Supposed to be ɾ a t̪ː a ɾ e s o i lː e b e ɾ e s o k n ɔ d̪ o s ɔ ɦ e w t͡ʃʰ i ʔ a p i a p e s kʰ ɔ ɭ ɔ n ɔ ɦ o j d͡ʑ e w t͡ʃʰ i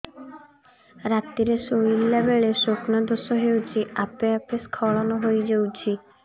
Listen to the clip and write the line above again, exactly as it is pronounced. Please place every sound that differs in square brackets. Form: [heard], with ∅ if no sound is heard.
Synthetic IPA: ɾ a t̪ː [i] ɾ e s o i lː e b e [ɭ] e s o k n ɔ d̪ o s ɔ ɦ e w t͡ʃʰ i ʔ a p [e] a p e s kʰ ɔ ɭ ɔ n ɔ ɦ o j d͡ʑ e w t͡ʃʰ i